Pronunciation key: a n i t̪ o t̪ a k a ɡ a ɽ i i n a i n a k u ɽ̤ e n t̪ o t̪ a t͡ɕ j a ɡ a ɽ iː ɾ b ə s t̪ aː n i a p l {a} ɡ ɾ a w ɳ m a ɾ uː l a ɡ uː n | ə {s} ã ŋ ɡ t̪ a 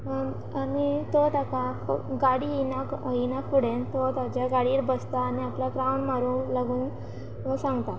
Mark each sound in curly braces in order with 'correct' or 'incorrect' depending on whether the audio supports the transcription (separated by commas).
correct, correct